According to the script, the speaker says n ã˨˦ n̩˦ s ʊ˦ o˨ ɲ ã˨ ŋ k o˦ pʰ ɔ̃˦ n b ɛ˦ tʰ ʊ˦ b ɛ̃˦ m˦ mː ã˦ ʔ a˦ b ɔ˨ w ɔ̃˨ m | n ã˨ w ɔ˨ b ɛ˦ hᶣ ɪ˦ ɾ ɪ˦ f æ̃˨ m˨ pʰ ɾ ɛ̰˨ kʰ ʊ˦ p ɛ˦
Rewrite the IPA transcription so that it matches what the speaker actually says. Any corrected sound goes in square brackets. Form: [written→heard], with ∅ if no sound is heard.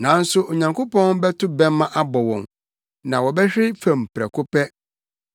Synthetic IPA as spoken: n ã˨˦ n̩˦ s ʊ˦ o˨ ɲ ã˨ ŋ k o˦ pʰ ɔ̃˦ n b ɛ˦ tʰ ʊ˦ b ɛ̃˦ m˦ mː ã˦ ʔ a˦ b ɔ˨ w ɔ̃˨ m | n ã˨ w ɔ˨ b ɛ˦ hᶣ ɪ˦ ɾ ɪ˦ f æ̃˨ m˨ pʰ ɾ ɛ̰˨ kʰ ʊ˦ p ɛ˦

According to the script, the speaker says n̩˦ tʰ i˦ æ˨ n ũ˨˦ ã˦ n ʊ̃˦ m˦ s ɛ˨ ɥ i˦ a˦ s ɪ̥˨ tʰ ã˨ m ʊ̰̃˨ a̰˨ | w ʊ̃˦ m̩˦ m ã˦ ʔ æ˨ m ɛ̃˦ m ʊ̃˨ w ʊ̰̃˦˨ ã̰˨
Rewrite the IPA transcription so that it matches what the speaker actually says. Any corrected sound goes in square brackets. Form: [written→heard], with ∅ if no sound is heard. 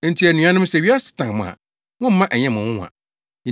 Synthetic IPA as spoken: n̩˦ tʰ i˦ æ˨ n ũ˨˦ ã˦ n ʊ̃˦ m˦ s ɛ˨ ɥ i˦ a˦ s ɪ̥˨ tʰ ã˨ m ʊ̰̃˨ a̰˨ | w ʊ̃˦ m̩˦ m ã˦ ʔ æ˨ [m→ɲ] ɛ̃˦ m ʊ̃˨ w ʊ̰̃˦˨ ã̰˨

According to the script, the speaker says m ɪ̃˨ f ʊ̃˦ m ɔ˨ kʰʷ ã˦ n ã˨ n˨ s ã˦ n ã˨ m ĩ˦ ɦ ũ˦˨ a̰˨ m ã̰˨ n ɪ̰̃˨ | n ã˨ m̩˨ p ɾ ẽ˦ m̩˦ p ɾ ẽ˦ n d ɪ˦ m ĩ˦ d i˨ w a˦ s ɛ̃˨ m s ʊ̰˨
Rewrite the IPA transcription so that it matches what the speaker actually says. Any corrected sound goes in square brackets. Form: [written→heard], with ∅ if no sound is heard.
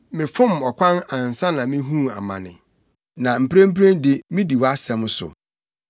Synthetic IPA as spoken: m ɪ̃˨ f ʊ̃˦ m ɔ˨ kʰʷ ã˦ n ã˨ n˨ s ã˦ n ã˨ m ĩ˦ ɦ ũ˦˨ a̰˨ m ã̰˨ n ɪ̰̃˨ | n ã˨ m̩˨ p ɾ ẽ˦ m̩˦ p ɾ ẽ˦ n d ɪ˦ m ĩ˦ d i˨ w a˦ s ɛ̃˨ m s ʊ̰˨

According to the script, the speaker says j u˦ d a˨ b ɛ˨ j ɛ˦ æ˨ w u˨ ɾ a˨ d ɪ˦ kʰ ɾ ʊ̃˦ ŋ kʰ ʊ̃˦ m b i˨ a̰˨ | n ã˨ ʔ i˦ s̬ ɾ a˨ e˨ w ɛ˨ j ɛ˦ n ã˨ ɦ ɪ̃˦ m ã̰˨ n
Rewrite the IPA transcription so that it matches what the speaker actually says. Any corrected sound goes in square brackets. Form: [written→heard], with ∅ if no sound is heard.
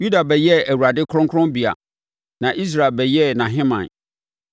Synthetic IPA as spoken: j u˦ d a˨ b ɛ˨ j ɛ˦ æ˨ w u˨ ɾ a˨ d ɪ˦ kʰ ɾ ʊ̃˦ ŋ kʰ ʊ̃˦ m b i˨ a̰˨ | n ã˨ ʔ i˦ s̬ ɾ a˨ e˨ [w→b] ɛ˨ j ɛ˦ n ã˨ ɦ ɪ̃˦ m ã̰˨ n

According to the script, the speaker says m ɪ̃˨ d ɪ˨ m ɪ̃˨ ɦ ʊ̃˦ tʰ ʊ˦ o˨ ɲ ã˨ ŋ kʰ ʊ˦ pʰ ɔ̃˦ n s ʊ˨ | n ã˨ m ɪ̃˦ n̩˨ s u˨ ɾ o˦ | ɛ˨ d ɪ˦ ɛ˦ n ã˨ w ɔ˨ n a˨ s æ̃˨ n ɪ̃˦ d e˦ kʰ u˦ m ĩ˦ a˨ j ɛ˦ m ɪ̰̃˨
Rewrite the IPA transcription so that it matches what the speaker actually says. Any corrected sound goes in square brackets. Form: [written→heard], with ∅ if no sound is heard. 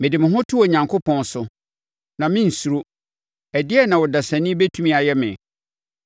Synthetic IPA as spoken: m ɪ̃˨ d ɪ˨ m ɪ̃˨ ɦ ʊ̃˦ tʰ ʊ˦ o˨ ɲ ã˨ ŋ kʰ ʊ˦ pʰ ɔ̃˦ n s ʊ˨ | n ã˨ m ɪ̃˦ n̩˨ s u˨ ɾ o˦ | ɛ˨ d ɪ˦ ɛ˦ n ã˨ w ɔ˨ [n→d] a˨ s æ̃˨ n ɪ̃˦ [d→b] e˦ [kʰ→tʰ] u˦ m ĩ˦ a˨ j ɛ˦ m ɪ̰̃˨

